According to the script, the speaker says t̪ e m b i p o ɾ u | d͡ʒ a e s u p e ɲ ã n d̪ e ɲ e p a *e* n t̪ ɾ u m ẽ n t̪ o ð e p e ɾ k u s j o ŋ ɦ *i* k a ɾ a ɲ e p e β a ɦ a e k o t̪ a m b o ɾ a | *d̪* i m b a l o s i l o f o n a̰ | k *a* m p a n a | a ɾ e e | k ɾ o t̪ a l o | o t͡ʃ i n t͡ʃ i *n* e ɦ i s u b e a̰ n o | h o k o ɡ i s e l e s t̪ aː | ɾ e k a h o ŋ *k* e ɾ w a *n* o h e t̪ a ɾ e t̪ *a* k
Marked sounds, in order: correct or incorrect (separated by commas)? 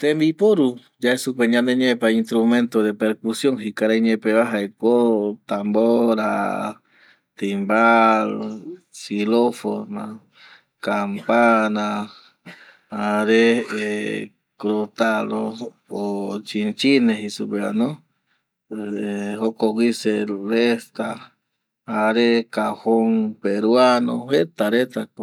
incorrect, correct, incorrect, correct, correct, incorrect, correct, correct